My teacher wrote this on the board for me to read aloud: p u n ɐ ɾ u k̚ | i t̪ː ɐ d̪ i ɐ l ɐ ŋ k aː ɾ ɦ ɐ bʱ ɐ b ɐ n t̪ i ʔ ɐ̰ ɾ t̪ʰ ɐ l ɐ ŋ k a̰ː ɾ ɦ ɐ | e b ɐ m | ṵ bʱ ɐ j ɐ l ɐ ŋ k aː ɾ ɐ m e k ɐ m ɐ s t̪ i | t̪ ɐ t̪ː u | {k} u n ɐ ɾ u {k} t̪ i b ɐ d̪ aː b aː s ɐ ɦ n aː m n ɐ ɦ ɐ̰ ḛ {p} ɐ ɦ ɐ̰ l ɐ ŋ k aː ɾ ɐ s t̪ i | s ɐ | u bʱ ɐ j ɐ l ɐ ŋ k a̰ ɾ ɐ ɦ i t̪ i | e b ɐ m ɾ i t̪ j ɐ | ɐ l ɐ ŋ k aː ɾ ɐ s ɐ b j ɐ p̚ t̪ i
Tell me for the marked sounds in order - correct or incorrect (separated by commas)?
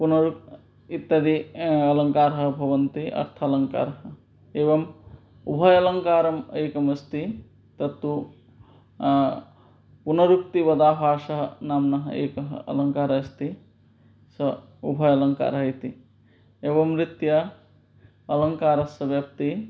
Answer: incorrect, correct, incorrect